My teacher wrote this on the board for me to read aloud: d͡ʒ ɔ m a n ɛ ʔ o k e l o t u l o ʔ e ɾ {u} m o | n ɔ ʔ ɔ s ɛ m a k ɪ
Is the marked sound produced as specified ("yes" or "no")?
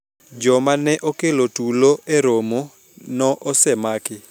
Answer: no